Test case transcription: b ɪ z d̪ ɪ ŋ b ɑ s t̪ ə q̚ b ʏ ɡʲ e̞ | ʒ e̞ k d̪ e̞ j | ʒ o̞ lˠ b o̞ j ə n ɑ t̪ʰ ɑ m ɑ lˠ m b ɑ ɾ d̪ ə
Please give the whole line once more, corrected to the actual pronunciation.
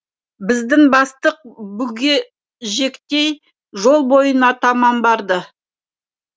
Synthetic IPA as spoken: b ɪ z d̪ ɪ ŋ b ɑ s t̪ ə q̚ b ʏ ɡʲ e̞ | ʒ e̞ k t̪ e̞ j | ʒ o̞ lˠ b o̞ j ə n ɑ t̪ʰ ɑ m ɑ m b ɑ ɾ d̪ ə

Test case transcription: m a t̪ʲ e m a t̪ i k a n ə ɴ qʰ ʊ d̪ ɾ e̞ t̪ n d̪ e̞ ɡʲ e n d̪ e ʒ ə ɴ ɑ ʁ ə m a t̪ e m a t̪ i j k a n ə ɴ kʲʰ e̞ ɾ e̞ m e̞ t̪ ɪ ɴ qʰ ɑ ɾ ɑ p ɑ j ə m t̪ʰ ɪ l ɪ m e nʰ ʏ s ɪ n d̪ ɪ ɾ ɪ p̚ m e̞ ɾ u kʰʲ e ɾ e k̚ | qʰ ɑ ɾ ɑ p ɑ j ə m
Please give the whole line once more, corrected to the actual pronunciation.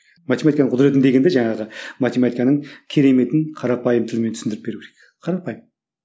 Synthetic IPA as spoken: m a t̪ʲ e m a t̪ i k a n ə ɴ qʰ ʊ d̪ ɾ e̞ t̪ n d̪ e̞ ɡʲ e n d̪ e ʒ ɑ ɴ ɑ ʁ ə m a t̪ e m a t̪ i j k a n ə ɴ kʲʰ e̞ ɾ e̞ m e̞ t̪ ɪ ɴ qʰ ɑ ɾ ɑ p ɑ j ə m t̪ʰ ɪ l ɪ m e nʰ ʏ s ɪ n d̪ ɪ ɾ ɪ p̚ b e̞ ɾ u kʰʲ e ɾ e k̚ | qʰ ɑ ɾ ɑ p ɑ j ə m

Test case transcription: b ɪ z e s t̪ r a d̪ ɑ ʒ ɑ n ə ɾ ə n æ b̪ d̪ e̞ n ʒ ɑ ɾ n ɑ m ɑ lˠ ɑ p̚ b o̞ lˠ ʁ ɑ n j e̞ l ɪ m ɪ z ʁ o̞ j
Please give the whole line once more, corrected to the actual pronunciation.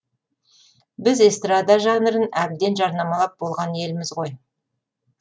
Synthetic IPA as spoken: b ɪ z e s t̪ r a d̪ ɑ ʒ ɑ n ə ɾ ə n æ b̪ d̪ e̞ n ʒ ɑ ɾ n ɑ m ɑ lˠ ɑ p̚ b o̞ lˠ ʁ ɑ n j e̞ l ɪ m ɪ z ʁ o̞ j

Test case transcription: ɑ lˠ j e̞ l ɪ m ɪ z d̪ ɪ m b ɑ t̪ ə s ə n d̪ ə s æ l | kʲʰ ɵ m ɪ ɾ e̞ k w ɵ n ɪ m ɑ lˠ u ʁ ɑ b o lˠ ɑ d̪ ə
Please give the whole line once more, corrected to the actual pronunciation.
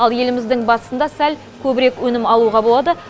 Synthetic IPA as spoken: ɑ lˠ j e̞ l ɪ m ɪ z d̪ ɪ ŋ b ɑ t̪ ə s ə n d̪ ɑ s æ l | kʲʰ ɵ b ɪ ɾ e̞ k w ɵ n ɪ m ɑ lˠ u ʁ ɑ b o lˠ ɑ d̪ ə

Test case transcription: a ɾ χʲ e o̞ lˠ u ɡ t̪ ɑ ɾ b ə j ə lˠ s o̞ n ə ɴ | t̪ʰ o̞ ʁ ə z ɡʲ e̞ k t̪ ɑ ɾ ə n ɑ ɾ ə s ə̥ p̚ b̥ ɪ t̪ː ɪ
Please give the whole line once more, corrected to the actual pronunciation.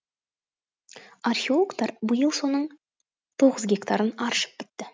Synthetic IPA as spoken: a r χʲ e o̞ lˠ o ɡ t̪ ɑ ɾ b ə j ə lˠ s o̞ n ə ɴ | t̪ʰ o̞ ʁ ə z ɡʲ e̞ k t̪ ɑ ɾ ə n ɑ ɾ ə ʃ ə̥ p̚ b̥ ɪ t̪ː ɪ

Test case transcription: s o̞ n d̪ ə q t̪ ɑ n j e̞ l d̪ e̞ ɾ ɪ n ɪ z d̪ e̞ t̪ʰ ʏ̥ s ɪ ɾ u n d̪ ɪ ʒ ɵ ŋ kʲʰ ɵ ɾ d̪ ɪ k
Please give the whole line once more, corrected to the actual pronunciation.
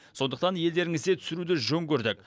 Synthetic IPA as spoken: s o̞ n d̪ ə q t̪ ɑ n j e̞ l d̪ e̞ ɾ ɪ ŋ ɪ z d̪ e̞ t̪ʰ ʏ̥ s ɪ ɾ u d̪ ɪ ʒ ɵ ŋ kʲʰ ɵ ɾ d̪ ɪ k

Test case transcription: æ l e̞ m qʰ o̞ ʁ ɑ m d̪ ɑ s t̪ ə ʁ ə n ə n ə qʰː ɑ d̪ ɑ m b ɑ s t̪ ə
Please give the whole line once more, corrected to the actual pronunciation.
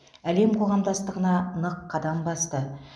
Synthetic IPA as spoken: æ l e̞ m qʰ o̞ ʁ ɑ m d̪ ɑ s t̪ ə ʁ ə n ɑ n ə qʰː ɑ d̪ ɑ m b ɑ s t̪ ə

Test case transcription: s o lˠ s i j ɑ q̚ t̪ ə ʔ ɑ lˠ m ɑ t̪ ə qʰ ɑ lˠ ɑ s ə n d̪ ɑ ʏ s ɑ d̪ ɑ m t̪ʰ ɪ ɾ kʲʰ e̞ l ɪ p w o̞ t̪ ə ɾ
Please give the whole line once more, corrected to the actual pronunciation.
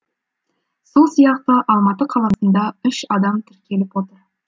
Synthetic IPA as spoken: s o lˠ s i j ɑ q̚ t̪ ə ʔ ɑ lˠ m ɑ t̪ ə qʰ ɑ lˠ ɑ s ə n d̪ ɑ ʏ ʃ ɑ d̪ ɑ m t̪ʰ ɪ ɾ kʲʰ e̞ l ɪ p w o̞ t̪ ə ɾ

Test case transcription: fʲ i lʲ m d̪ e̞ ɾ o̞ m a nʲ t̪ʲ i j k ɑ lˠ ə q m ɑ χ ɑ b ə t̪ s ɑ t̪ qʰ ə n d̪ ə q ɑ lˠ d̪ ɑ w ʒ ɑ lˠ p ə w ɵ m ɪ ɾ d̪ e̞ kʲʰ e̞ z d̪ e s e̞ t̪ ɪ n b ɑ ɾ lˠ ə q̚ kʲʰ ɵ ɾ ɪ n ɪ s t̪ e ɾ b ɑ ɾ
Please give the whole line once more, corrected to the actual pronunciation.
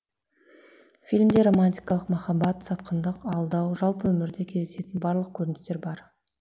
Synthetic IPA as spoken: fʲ i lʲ m d̪ e̞ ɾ o̞ m a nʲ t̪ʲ i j k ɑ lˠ ə q m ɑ χ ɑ b ɑ t̪ s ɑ t̪ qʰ ə n d̪ ə q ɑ lˠ d̪ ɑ w ʒ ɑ lˠ p ə w ɵ m ɪ ɾ d̪ e̞ kʲʰ e̞ z d̪ e s e̞ t̪ ɪ n b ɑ ɾ lˠ ə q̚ kʲʰ ɵ ɾ ɪ n ɪ s t̪ e ɾ b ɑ ɾ

